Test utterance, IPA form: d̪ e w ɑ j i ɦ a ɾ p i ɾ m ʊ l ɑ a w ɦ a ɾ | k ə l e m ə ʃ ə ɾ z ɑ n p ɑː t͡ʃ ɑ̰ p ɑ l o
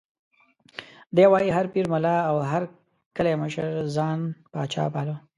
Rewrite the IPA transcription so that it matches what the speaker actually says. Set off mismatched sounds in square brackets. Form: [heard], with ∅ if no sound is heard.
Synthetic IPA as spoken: d̪ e w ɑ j i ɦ a ɾ p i ɾ m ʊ l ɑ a w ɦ a ɾ | k ə l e m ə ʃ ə ɾ z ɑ n p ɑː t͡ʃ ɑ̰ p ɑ l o